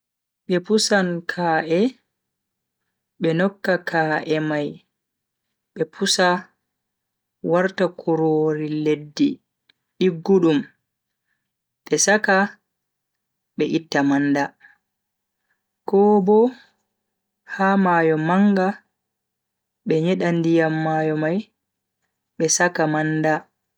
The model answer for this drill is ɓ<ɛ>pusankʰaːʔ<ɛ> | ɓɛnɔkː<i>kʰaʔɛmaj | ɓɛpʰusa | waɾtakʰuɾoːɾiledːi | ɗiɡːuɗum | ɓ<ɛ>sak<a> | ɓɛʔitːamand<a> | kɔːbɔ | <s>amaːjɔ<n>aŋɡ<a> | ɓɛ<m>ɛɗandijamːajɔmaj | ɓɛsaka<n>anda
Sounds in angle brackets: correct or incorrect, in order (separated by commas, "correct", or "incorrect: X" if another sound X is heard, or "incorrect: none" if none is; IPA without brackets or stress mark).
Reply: correct, correct, incorrect: a, correct, correct, correct, incorrect: h, incorrect: m, correct, incorrect: ɲ, incorrect: m